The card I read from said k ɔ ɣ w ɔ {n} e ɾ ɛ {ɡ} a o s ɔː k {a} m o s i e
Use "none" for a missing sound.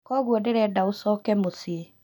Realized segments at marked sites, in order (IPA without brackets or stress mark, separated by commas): d, d, ɛ